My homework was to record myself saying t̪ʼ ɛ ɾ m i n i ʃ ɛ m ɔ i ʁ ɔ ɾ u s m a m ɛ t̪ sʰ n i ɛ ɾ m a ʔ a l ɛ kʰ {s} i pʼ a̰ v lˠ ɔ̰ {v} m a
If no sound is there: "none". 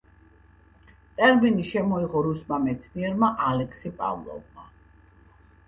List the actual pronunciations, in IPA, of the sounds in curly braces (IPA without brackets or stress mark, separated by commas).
s, v